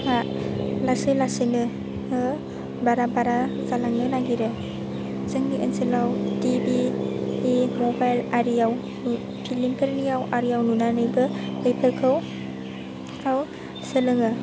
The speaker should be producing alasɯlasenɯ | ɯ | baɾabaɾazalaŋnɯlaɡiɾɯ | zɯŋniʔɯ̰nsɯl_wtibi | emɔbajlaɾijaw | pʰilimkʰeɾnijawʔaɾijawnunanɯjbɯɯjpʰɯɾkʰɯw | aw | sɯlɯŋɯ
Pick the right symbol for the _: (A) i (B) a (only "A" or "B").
B